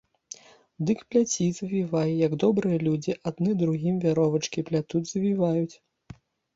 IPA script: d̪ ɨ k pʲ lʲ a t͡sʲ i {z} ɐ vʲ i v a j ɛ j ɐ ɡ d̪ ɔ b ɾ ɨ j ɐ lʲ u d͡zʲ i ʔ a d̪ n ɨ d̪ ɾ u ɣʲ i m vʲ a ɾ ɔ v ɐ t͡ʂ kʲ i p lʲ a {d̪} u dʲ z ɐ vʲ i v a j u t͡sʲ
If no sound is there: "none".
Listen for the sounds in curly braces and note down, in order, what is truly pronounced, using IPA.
z, t̪

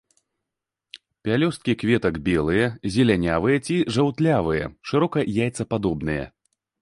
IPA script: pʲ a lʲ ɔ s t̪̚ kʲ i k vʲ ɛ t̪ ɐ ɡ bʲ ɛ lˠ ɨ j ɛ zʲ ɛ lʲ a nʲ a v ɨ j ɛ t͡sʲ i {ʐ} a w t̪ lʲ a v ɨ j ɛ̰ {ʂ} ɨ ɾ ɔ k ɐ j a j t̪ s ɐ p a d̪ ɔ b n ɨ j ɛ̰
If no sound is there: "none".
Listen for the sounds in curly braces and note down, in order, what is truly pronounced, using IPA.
ʐ, ʂ

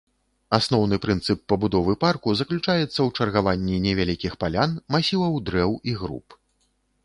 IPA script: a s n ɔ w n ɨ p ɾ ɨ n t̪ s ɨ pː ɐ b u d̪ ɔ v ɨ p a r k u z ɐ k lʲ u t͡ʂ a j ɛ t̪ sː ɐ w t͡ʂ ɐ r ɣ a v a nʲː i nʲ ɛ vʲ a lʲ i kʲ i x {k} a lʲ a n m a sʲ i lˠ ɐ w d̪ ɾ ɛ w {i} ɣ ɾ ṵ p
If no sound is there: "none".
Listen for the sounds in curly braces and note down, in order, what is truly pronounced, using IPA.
p, i

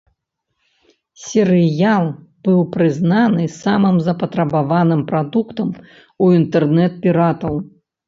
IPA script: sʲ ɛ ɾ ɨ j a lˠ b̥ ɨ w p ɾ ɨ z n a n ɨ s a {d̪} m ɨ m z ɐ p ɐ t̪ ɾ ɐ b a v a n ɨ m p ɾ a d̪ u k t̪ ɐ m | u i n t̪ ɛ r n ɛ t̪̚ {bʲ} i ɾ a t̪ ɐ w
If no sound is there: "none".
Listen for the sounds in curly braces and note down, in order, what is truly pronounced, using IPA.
none, pʲ

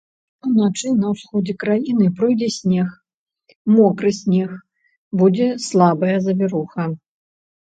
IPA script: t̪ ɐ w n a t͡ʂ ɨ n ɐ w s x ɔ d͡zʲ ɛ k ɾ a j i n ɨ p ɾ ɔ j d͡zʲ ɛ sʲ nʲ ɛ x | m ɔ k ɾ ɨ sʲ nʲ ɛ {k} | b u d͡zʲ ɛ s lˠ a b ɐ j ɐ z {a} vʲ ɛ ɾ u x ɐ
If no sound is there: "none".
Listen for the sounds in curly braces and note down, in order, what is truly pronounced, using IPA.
x, ɐ

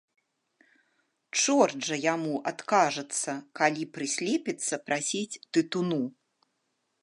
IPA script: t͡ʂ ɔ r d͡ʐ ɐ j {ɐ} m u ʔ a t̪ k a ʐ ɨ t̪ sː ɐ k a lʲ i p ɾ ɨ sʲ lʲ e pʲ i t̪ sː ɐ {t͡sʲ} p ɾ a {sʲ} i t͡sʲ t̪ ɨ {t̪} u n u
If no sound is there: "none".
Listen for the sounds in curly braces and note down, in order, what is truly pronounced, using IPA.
a, none, sʲ, t̪

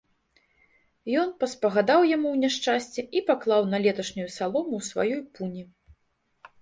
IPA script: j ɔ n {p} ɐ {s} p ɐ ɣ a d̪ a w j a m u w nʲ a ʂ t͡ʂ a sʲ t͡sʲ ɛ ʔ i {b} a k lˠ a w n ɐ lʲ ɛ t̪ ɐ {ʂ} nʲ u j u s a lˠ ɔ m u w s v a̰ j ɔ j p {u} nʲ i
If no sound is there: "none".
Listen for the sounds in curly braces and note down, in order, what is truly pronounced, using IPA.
p, s, p, ʂ, u

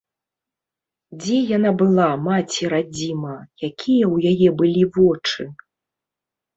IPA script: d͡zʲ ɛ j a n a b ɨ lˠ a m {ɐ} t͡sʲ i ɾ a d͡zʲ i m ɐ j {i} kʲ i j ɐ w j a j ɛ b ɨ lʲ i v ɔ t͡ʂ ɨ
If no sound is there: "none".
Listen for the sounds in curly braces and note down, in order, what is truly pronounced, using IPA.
a, a

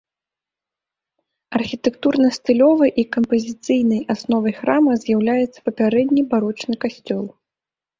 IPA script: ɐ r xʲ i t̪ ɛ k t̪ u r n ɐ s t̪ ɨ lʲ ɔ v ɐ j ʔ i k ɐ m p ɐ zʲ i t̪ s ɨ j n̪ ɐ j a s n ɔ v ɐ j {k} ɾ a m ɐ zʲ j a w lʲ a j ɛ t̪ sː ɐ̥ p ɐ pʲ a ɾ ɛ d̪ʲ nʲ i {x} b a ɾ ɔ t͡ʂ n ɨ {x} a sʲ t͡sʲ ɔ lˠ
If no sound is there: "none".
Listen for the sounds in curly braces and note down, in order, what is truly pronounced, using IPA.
x, none, k

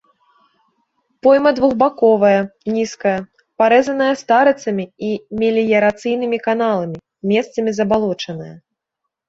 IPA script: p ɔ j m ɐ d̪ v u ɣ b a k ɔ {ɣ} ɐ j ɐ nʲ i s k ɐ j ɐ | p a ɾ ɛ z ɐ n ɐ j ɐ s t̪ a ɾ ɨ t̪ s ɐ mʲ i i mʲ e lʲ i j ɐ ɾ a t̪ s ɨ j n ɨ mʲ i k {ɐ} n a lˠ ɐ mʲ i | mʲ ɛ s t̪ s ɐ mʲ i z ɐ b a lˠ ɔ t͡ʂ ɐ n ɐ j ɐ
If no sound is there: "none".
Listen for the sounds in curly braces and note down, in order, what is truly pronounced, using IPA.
v, a

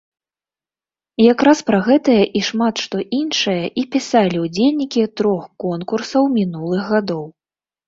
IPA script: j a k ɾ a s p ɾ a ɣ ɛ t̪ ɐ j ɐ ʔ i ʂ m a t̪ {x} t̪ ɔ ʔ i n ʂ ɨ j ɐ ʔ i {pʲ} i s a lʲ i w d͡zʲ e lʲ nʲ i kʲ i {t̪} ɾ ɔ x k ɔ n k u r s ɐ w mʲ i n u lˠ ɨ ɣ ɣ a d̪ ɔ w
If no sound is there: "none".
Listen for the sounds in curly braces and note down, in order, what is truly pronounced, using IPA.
ʂ, pʲ, t̪

